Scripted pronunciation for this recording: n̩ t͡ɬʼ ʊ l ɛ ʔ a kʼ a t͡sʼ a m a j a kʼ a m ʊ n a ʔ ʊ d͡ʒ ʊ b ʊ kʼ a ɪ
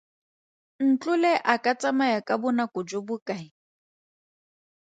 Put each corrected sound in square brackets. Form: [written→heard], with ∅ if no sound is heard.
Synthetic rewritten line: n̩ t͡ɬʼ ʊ l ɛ ʔ a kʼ a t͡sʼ a m a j a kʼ a [m→b] ʊ n a [ʔ→k] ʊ d͡ʒ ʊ b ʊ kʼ a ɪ